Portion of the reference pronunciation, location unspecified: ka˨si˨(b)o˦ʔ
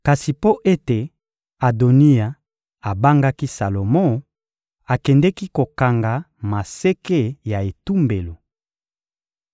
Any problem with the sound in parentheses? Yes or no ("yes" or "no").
yes